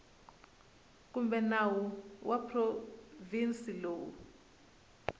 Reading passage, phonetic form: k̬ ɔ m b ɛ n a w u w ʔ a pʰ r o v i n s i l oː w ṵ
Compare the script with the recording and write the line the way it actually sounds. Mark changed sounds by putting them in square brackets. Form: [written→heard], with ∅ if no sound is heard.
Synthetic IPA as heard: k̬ [ɔ→u] m b ɛ n a w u w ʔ a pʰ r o v i n s i l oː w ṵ